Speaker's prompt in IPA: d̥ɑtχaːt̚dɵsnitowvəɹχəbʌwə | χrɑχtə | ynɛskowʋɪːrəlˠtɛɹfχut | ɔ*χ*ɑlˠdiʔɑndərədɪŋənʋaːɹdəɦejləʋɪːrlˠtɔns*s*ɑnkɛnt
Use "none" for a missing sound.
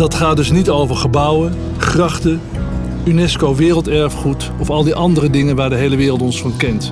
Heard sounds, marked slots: f, f

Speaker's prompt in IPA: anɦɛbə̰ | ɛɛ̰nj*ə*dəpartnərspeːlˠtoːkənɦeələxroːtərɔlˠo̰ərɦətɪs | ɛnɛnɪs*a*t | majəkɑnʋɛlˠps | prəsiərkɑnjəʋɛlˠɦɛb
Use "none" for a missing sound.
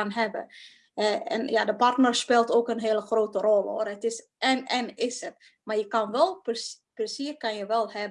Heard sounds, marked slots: a, ə

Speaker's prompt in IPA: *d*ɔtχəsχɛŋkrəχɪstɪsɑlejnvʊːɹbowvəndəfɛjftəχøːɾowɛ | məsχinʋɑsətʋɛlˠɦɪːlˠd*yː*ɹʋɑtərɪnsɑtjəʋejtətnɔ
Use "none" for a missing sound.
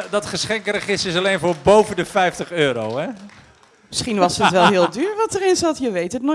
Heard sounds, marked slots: d, yː

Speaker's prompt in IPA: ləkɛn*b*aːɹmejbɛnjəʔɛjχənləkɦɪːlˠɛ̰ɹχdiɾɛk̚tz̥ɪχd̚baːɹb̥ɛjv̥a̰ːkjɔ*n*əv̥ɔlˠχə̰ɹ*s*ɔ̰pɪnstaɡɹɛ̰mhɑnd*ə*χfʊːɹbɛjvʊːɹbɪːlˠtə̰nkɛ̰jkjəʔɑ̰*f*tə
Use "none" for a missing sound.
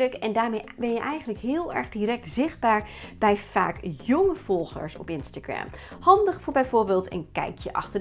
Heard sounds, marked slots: d, ŋ, s, ə, χ

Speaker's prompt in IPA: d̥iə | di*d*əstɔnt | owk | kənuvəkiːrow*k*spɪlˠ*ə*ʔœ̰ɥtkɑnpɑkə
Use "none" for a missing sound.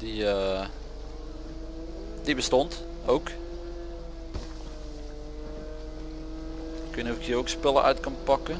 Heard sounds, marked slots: b, k, ə

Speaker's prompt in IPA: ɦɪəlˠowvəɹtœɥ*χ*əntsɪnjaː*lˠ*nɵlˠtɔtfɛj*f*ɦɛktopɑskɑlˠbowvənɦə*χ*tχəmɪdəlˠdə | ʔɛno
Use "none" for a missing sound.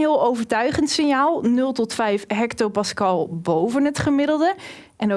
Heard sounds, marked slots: χ, lˠ, f, none

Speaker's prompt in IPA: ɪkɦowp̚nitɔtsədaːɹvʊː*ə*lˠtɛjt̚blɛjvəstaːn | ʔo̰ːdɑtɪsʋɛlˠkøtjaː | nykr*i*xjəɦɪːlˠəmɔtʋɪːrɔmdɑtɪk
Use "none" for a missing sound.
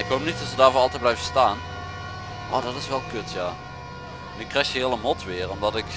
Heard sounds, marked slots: ɑ, ɛ

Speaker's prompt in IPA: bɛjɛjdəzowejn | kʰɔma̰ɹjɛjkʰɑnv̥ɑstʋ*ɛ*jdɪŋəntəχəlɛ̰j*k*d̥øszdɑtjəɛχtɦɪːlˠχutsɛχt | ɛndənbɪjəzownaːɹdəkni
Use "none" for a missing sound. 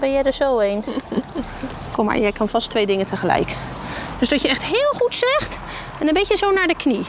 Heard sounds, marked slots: e, k

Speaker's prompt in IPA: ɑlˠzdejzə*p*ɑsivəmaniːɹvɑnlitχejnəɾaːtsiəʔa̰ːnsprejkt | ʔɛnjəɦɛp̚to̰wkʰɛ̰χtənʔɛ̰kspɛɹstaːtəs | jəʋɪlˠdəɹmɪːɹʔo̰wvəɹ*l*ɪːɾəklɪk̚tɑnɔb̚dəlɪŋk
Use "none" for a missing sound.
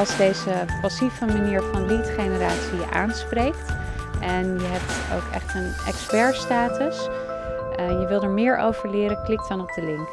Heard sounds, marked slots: p, l

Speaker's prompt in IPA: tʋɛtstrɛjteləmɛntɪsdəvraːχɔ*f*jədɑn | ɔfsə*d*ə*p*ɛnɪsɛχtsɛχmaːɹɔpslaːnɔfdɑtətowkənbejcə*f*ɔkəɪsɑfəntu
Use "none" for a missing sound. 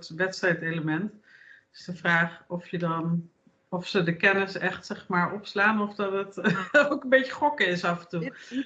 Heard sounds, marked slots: f, d, k, χ

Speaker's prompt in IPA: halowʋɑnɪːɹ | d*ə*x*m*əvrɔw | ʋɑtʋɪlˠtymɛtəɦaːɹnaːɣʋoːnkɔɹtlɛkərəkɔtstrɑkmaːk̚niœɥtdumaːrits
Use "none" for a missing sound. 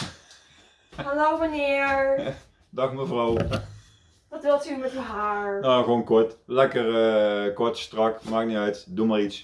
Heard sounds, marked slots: ɑ, m

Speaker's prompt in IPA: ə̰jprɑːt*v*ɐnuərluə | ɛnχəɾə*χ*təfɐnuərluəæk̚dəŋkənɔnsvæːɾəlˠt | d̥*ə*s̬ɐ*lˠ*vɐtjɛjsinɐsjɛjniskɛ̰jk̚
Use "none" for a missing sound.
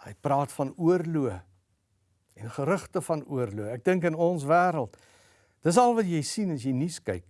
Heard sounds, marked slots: f, χ, ə, lˠ

